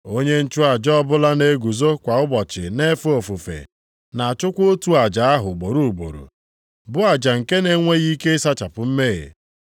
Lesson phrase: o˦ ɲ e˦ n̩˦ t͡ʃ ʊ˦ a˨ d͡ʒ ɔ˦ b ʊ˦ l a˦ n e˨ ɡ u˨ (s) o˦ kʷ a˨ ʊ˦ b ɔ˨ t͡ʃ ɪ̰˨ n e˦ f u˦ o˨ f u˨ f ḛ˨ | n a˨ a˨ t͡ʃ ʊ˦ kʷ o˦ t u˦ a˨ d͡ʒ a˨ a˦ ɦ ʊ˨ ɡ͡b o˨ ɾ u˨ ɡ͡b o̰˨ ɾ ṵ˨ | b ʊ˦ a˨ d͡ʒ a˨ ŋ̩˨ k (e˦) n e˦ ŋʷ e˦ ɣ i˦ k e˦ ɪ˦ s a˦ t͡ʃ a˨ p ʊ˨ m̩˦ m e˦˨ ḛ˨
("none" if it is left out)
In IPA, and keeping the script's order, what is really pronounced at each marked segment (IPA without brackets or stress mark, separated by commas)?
z, e˦